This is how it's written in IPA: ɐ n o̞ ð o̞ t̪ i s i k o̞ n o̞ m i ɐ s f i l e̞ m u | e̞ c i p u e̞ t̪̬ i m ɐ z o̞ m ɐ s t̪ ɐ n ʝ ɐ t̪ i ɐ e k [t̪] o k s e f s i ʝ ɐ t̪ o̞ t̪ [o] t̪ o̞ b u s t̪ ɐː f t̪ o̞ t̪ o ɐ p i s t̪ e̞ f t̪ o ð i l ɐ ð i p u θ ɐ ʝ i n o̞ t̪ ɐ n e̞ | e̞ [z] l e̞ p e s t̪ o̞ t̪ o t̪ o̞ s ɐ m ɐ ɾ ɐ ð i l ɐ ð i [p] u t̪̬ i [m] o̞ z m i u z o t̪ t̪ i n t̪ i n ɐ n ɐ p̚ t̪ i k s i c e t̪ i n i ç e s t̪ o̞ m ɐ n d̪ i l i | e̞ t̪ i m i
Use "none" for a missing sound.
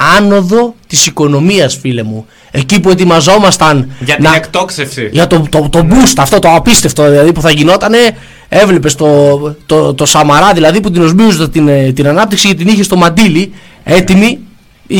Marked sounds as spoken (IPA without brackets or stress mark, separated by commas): t̪, o, v, p, n